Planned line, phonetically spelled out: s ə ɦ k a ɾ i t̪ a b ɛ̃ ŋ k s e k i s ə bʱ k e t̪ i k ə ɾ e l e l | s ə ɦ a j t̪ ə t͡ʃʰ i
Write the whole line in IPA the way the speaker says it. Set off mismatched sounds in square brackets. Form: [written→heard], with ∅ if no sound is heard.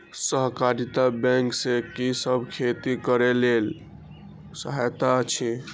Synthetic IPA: s ə ɦ k a ɾ i t̪ a b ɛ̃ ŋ k s e k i s ə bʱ [k→kʰ] e t̪ i k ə ɾ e l e l | s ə ɦ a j t̪ [ə→a] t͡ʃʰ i